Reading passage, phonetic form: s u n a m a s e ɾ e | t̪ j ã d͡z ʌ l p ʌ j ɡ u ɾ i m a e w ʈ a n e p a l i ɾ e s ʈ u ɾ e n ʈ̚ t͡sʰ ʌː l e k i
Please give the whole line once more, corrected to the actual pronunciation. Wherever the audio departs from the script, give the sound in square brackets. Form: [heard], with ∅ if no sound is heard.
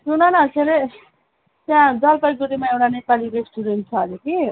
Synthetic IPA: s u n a [n] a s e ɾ e | t̪ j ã d͡z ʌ l p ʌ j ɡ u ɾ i m a e w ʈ a n e p a l i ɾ e s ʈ u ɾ e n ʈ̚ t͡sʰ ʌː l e k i